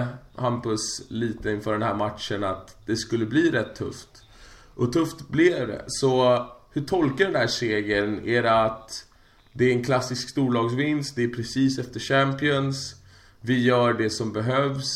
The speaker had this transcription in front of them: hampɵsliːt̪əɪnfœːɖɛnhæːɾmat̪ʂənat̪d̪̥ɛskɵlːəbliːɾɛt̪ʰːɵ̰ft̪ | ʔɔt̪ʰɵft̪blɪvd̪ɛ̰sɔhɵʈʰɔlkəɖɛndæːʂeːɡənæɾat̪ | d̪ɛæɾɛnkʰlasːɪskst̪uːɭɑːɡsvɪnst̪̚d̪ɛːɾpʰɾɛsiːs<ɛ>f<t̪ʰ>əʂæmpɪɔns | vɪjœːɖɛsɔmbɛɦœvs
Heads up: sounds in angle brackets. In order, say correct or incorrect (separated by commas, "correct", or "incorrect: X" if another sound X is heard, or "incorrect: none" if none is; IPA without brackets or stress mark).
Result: correct, incorrect: t̪